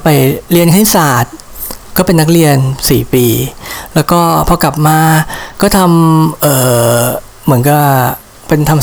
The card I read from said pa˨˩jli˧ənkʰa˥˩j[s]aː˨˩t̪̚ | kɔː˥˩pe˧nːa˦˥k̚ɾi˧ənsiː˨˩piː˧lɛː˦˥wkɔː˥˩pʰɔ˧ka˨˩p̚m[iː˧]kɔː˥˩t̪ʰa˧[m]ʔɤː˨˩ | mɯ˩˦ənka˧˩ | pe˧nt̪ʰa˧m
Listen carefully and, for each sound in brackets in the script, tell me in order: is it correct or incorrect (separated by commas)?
correct, incorrect, correct